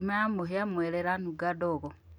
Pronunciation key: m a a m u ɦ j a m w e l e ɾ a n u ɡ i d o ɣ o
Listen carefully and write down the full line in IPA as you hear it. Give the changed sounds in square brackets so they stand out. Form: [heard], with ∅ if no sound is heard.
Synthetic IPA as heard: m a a m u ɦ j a m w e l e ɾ a n u ɡ [a] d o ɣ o